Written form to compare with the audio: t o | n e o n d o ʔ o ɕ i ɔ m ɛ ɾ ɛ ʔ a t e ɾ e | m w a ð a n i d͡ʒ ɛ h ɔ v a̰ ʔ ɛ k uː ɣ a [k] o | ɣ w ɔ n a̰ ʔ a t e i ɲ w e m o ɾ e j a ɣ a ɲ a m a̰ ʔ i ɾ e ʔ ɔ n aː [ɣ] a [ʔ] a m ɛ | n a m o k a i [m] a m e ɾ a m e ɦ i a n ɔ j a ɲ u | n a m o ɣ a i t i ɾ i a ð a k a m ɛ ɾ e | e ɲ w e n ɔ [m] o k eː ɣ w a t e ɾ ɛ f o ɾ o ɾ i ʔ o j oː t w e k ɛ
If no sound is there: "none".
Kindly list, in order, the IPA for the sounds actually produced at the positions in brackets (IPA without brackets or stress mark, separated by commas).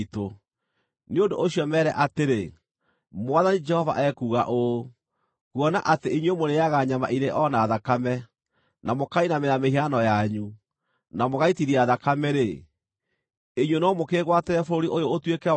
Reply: ʔ, ð, k, n, m